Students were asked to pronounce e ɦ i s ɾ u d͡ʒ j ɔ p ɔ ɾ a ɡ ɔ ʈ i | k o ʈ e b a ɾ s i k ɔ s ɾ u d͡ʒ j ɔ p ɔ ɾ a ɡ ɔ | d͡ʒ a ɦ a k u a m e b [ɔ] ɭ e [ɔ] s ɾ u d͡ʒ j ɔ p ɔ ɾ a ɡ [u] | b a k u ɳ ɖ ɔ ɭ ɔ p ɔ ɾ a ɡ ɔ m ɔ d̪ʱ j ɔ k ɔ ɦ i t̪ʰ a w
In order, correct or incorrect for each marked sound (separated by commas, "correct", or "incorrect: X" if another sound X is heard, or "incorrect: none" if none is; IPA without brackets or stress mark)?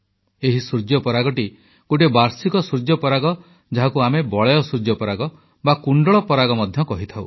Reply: correct, correct, incorrect: ɔ